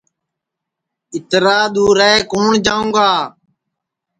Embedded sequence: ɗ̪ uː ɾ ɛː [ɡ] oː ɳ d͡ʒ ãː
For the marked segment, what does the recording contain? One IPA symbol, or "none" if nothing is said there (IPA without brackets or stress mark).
k